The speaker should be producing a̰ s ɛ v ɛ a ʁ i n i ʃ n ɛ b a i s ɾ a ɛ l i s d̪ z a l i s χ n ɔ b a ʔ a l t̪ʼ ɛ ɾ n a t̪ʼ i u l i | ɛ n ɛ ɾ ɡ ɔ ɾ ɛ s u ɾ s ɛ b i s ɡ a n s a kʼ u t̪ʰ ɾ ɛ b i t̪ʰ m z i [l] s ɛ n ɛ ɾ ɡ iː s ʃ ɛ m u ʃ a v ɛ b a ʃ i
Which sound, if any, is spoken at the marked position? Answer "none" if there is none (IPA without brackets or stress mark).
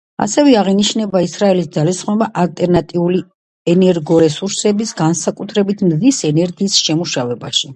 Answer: none